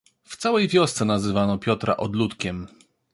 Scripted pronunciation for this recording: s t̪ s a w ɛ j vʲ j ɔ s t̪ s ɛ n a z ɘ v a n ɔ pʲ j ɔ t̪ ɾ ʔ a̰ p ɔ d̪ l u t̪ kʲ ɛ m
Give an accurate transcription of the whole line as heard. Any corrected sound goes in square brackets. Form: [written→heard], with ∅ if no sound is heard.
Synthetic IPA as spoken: [s→f] t̪ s a w ɛ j vʲ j ɔ s t̪ s ɛ n a z ɘ v a n ɔ pʲ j ɔ t̪ ɾ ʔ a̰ [p→ʔ] ɔ d̪ l u t̪ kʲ ɛ m